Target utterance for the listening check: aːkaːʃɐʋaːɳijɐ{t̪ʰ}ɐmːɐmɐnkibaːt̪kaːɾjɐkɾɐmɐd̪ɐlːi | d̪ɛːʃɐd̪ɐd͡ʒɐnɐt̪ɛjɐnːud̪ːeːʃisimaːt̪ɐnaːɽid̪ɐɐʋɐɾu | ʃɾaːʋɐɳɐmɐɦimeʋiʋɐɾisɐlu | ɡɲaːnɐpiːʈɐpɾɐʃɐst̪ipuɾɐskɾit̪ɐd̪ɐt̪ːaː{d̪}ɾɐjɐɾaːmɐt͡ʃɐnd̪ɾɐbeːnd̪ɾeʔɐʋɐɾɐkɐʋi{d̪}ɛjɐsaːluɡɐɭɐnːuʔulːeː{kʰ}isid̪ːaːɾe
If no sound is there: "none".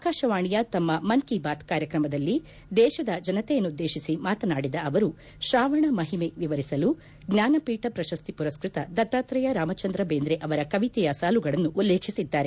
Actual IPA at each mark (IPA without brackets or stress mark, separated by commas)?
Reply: t̪, t̪, t̪, kʰ